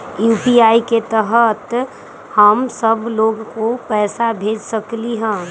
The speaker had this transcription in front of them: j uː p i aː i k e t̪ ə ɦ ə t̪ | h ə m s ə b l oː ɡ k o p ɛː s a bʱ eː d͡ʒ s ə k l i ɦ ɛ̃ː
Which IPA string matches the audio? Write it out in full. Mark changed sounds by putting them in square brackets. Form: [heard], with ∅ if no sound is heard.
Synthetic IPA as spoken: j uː p i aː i k e t̪ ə ɦ ə t̪ | h ə m s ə b l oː ɡ k o p ɛː s a bʱ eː d͡ʒ s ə k l i ɦ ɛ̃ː